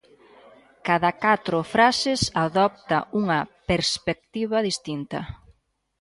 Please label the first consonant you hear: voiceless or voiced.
voiceless